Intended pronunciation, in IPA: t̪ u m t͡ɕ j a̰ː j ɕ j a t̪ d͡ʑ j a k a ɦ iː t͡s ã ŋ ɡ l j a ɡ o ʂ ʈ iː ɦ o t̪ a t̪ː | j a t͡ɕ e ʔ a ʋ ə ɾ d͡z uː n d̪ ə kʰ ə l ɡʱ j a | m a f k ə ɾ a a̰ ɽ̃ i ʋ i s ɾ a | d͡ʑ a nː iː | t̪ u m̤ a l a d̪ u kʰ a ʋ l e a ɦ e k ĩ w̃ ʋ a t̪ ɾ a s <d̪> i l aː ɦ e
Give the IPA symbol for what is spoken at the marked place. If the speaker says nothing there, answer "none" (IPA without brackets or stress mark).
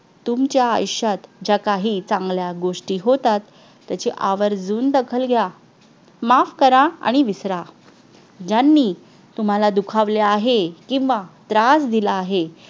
d̪